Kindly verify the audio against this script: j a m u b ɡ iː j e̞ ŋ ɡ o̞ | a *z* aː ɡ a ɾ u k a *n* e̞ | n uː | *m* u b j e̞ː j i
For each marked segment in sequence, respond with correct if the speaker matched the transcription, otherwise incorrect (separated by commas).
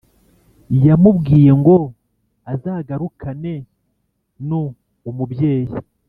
correct, correct, correct